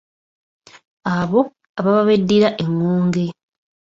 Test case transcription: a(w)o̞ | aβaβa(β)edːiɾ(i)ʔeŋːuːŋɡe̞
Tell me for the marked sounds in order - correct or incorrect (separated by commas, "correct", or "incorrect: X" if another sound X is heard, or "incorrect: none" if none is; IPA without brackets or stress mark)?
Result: incorrect: β, correct, incorrect: a